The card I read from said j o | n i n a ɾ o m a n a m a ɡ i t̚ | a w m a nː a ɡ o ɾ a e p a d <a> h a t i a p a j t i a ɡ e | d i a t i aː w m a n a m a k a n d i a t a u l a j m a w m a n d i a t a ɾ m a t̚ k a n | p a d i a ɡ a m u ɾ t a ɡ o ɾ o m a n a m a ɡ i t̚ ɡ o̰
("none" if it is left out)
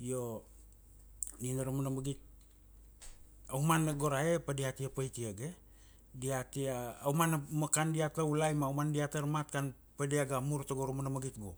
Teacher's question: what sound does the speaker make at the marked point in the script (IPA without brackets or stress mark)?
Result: i